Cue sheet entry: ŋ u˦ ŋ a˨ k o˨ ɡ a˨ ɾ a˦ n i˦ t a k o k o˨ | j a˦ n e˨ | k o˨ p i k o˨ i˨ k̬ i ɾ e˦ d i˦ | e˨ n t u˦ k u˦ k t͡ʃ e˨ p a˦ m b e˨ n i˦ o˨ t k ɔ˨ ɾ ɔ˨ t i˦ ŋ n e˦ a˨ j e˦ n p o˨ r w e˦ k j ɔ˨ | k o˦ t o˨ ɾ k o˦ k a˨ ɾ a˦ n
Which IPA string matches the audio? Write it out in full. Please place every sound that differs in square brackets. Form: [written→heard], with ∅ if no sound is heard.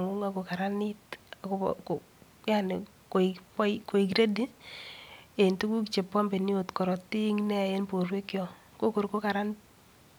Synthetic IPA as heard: ŋ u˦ ŋ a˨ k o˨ [ɡ→k] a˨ ɾ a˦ n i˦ t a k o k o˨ | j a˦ n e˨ | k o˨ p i k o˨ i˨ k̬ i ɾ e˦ d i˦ | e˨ n t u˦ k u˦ k t͡ʃ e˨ p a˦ m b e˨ n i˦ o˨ t k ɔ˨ ɾ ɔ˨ t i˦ ŋ n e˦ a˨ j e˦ n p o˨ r w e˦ k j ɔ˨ | k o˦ [t→k] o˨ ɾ k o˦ k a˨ ɾ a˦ n